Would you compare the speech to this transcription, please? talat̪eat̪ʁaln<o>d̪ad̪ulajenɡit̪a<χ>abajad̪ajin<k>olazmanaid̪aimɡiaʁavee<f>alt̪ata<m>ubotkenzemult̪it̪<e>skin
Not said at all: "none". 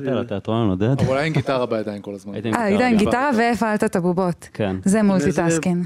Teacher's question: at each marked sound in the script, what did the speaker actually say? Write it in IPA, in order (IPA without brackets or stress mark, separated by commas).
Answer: o, ʁ, k, f, b, a